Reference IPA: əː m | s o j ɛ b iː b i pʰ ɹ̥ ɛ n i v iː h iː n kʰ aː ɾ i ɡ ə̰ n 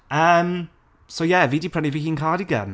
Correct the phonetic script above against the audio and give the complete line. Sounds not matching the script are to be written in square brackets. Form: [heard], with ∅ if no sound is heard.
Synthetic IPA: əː m | s o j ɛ [v] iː [d] i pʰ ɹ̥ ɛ n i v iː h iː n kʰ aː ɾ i ɡ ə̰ n